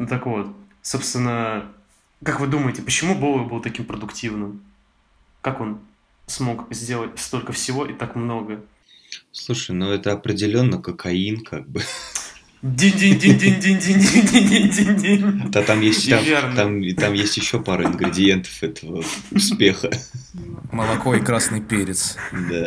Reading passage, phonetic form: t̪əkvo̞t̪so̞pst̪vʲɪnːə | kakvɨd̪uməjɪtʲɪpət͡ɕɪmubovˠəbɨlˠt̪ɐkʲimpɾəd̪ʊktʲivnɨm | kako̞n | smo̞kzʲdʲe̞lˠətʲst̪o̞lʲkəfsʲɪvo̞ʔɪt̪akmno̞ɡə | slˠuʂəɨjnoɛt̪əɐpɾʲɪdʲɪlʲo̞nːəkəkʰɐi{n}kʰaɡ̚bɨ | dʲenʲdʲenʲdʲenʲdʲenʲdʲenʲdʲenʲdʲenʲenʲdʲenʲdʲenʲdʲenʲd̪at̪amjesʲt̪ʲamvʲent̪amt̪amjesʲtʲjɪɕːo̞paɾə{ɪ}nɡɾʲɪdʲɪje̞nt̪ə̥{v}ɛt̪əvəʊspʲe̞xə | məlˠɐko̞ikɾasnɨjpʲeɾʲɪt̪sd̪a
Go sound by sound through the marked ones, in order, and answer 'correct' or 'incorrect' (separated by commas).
correct, correct, incorrect